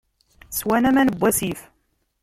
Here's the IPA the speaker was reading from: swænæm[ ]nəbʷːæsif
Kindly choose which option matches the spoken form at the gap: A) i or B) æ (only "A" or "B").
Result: B